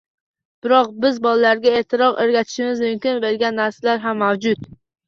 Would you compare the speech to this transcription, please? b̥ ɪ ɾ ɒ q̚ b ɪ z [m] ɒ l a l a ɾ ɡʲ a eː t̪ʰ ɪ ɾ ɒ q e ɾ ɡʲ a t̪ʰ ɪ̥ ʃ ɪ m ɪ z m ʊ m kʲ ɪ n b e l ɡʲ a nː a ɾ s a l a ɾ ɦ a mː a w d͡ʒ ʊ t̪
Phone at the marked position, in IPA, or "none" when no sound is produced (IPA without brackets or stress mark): b